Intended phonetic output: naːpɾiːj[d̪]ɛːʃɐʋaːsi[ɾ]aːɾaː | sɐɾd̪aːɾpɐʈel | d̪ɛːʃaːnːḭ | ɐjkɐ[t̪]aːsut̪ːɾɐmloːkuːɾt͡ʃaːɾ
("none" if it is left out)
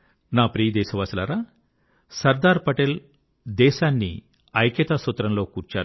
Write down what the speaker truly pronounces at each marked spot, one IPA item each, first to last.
d̪, l, t̪

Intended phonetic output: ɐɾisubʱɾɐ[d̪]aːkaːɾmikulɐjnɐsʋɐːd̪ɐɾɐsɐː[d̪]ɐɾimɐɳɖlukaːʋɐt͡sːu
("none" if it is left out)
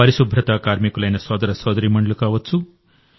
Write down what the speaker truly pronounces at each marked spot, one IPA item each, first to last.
t̪, d̪

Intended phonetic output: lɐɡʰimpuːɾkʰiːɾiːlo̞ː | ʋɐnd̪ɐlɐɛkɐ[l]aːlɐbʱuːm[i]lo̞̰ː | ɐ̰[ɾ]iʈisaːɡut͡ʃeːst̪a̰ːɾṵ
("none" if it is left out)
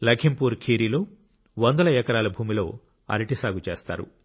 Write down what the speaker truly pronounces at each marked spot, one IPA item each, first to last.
ɾ, i, ɾ

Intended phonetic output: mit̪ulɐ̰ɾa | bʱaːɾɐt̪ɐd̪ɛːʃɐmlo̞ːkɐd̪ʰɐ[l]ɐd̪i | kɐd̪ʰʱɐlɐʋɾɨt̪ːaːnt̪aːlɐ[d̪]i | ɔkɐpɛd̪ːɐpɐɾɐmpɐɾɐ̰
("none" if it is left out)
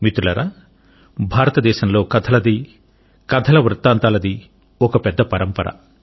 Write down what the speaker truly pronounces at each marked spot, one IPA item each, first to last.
l, d̪

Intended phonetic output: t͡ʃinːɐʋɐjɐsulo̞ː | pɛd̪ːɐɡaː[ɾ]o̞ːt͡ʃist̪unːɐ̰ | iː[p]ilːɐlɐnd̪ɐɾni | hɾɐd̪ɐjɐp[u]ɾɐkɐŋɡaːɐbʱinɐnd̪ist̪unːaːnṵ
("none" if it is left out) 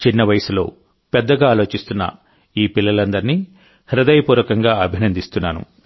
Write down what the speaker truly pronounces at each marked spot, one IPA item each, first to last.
l, p, uː

